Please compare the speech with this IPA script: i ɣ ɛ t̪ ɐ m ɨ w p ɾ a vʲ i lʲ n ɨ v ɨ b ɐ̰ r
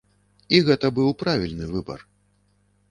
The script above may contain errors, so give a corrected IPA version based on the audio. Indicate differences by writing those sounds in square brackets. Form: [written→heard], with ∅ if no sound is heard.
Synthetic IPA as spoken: i ɣ ɛ t̪ ɐ [m→b] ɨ w p ɾ a vʲ i lʲ n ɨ v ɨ b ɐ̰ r